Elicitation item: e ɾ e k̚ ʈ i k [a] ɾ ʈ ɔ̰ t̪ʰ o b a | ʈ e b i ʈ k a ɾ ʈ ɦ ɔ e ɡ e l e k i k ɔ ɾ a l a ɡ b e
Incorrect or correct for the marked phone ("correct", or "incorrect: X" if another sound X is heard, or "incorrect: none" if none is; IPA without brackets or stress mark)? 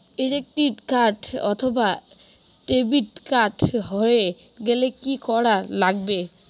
correct